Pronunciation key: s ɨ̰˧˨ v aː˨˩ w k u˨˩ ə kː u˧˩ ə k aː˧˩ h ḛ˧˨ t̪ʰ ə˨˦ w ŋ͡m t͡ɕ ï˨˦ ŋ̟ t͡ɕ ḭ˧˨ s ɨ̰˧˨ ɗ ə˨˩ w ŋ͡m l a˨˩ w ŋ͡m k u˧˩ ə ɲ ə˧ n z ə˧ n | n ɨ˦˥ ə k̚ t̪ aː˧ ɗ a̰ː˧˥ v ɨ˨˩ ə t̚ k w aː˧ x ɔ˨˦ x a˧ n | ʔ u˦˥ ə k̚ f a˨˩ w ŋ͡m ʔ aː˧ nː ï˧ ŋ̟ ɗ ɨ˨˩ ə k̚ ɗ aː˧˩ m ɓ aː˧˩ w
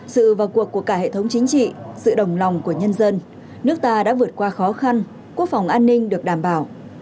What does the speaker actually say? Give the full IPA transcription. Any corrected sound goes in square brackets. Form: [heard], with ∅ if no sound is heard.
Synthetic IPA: s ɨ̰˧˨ v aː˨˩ w k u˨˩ ə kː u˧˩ ə k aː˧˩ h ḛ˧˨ t̪ʰ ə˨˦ w ŋ͡m t͡ɕ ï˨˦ ŋ̟ t͡ɕ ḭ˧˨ s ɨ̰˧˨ ɗ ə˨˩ w ŋ͡m l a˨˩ w ŋ͡m k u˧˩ ə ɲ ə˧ n z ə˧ n | n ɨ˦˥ ə k̚ t̪ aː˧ ɗ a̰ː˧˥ v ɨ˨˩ ə t̚ k w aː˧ x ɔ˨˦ x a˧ n | [k] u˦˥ ə k̚ f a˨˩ w ŋ͡m ʔ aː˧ nː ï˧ ŋ̟ ɗ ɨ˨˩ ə k̚ ɗ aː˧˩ m ɓ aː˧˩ w